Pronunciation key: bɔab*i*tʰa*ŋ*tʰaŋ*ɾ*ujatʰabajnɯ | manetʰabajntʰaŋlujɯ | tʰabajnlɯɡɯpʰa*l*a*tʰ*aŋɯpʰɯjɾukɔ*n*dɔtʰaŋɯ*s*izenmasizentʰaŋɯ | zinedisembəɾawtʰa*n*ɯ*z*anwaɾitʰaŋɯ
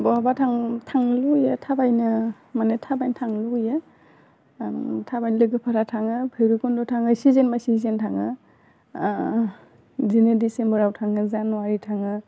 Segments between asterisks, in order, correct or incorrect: incorrect, correct, incorrect, incorrect, correct, correct, correct, incorrect, correct

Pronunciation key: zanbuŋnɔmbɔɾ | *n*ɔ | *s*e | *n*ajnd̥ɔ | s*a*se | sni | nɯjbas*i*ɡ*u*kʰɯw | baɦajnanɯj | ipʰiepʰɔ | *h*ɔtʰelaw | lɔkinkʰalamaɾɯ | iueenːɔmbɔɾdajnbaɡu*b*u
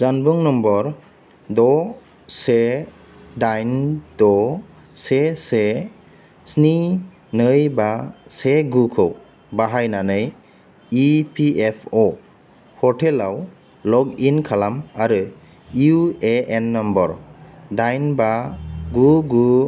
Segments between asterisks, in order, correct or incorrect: incorrect, correct, incorrect, incorrect, incorrect, correct, correct, incorrect

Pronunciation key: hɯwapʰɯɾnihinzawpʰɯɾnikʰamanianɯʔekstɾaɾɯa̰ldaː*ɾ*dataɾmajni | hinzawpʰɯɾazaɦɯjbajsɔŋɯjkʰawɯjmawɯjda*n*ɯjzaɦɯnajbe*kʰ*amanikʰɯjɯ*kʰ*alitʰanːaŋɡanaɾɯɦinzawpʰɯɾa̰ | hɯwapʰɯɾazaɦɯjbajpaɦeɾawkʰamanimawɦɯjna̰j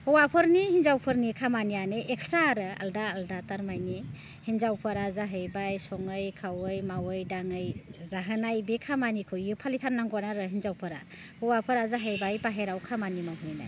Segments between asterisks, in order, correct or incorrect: incorrect, incorrect, correct, incorrect

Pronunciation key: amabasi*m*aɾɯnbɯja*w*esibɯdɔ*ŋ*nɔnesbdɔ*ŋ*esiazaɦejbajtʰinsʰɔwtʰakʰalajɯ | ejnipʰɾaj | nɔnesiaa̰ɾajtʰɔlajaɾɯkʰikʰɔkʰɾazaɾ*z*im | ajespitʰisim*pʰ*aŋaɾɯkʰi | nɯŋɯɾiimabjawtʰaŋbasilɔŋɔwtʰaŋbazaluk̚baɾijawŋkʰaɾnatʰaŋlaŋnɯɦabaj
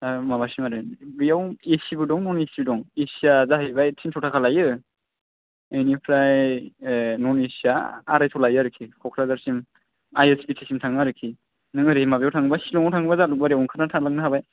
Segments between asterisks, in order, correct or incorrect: correct, correct, correct, correct, incorrect, incorrect

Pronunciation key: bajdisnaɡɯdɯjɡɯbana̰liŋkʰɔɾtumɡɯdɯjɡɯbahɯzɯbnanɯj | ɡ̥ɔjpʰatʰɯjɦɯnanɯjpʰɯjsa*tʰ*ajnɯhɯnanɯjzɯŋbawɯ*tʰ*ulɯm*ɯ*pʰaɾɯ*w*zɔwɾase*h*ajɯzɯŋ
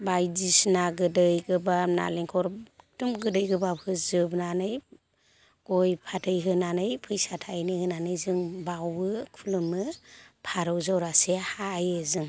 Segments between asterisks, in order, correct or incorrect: correct, incorrect, correct, correct, correct

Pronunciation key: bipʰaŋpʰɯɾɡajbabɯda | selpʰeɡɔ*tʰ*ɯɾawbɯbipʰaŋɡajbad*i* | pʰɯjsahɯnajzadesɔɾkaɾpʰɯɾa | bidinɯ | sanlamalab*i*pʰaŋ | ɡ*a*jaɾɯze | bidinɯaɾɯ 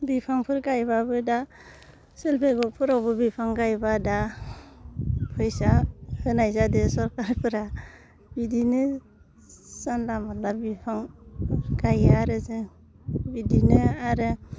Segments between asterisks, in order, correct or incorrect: incorrect, incorrect, correct, correct

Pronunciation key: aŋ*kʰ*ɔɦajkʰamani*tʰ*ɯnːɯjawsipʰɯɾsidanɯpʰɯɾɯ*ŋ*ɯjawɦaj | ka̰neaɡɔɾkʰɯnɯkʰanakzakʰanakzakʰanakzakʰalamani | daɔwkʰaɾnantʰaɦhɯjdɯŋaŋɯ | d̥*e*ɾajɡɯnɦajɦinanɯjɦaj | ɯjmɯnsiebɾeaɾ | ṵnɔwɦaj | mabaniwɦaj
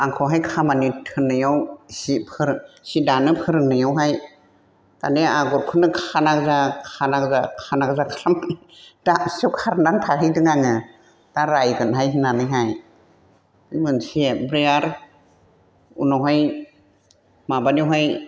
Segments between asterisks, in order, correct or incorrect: correct, correct, incorrect, incorrect

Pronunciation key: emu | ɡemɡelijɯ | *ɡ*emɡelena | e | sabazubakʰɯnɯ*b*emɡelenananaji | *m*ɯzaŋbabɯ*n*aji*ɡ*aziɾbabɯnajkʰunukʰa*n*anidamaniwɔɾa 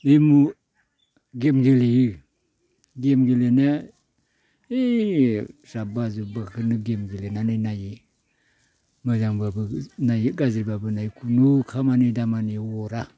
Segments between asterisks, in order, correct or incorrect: correct, incorrect, correct, correct, correct, incorrect

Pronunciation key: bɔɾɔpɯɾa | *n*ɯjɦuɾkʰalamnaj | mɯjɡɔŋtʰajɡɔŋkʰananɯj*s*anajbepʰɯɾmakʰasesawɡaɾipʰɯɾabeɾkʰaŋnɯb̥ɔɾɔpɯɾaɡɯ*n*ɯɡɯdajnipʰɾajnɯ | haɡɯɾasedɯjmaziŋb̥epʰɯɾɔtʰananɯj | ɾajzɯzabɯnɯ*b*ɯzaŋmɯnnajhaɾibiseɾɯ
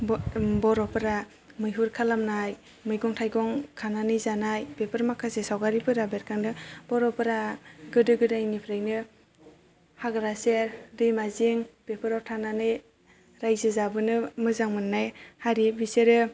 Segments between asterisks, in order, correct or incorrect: incorrect, incorrect, incorrect, incorrect

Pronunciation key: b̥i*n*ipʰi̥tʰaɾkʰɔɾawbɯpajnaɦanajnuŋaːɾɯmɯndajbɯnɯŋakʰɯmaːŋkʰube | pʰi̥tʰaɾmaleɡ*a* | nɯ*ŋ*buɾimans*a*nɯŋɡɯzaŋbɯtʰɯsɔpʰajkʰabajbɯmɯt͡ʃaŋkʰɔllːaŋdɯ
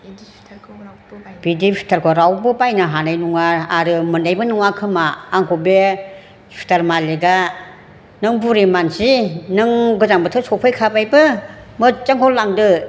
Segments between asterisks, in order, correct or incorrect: incorrect, correct, correct, incorrect

